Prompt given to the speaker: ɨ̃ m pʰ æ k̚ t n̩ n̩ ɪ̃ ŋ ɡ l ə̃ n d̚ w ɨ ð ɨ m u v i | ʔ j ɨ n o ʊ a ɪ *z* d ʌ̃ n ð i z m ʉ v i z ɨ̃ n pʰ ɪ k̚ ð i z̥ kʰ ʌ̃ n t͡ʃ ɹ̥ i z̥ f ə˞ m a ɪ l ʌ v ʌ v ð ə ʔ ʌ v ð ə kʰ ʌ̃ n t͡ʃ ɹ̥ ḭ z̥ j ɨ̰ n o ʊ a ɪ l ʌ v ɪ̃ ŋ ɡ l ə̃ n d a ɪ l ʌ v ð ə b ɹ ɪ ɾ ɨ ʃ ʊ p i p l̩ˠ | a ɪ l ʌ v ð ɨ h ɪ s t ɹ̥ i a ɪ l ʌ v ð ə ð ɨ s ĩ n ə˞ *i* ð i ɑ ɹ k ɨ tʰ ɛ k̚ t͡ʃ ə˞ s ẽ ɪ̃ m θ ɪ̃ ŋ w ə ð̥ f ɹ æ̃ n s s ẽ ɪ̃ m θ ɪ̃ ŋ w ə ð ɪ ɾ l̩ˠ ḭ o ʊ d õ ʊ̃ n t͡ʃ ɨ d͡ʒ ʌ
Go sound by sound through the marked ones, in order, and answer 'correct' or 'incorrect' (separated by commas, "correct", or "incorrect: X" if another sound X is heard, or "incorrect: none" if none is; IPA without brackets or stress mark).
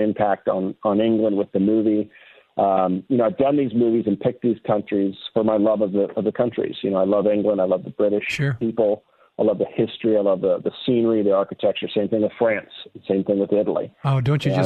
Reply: incorrect: v, correct